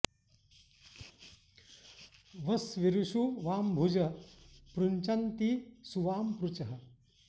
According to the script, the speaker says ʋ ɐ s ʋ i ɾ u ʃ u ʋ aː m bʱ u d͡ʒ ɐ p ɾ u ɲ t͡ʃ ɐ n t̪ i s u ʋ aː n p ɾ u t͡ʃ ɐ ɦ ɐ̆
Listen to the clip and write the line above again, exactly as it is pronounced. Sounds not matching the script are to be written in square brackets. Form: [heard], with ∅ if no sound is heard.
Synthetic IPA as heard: ʋ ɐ s ʋ i ɾ u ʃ u ʋ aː m bʱ u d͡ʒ ɐ p ɾ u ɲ t͡ʃ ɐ n t̪ i s u ʋ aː [m] p ɾ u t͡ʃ ɐ ɦ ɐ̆